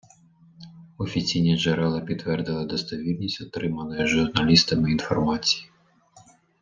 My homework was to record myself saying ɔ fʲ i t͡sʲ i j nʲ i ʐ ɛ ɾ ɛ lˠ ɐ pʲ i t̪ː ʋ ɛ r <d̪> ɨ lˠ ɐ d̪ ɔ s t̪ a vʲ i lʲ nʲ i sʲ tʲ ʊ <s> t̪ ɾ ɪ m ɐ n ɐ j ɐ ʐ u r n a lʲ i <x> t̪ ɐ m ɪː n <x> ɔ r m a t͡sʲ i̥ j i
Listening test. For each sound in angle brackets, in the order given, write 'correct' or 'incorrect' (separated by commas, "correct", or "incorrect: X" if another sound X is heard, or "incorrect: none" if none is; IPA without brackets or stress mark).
correct, incorrect: none, incorrect: s, incorrect: f